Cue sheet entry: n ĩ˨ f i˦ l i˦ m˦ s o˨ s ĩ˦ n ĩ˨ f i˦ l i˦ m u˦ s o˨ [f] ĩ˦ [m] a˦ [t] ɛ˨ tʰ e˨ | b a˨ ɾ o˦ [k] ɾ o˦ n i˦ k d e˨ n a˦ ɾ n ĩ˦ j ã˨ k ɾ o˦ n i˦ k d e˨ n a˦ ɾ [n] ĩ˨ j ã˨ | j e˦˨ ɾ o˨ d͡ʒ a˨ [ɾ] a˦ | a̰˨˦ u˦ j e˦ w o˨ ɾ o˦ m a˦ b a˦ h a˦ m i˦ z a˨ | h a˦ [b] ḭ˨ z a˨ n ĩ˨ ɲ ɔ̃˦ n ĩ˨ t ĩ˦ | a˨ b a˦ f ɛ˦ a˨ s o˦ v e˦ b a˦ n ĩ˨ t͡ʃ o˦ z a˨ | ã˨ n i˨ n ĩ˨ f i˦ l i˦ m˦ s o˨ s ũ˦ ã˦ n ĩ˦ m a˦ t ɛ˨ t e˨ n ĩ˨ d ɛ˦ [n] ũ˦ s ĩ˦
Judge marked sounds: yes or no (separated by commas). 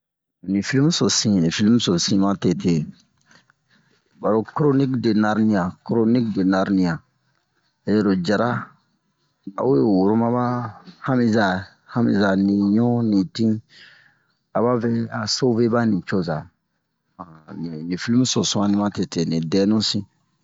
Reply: no, yes, yes, yes, yes, yes, no, yes